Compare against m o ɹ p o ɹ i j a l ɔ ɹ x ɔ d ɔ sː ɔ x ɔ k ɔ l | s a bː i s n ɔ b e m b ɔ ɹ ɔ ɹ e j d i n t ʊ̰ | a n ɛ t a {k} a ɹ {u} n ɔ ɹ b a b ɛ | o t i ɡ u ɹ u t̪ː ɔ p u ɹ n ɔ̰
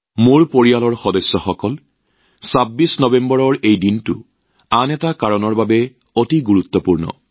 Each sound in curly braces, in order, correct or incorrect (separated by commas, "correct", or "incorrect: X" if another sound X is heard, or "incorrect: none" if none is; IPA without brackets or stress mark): correct, incorrect: ɔ